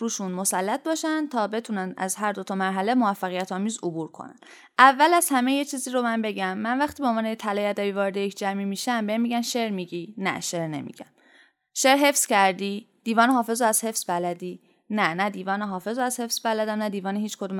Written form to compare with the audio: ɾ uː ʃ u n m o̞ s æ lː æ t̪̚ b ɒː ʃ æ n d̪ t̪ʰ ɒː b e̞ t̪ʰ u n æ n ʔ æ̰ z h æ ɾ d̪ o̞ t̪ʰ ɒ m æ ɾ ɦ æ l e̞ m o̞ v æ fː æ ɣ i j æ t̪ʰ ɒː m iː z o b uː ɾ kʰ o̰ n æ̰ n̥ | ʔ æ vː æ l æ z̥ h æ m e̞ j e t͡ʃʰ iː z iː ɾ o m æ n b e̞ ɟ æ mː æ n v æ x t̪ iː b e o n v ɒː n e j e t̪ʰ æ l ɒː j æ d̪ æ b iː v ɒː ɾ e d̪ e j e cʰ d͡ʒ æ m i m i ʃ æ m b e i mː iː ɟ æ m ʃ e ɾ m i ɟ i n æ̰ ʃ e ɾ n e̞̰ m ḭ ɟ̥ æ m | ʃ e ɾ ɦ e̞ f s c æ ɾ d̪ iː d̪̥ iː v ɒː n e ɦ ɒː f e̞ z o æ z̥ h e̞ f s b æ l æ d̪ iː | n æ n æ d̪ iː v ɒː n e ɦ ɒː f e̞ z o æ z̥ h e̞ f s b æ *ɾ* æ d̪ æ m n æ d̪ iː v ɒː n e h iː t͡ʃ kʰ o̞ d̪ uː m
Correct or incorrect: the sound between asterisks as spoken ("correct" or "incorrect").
incorrect